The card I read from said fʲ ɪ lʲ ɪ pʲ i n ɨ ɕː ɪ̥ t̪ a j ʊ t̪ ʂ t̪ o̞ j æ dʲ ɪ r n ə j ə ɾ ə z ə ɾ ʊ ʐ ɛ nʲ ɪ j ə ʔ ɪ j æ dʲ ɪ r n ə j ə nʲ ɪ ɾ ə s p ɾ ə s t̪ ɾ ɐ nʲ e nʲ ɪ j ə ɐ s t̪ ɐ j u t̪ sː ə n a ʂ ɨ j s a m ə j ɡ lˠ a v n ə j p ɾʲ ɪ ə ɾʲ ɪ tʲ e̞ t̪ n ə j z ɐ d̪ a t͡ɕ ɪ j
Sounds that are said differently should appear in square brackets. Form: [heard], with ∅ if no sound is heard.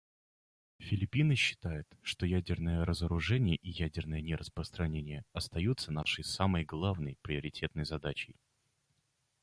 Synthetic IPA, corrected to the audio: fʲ ɪ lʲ ɪ pʲ i n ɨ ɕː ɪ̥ t̪ a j ʊ t̪ ʂ t̪ o̞ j æ dʲ ɪ r n ə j ə ɾ ə z ə ɾ ʊ ʐ ɛ nʲ ɪ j ə ʔ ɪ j æ dʲ ɪ r n ə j ə nʲ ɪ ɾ ə s p ɾ ə s t̪ ɾ ɐ nʲ e nʲ ɪ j ə ɐ s t̪ ɐ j u t̪ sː ə n a ʂ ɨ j s a m ə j ɡ lˠ a v n ə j p ɾʲ ɪ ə ɾʲ ɪ tʲ e̞ t̪ n ə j z ɐ d̪ a t͡ɕ ɪ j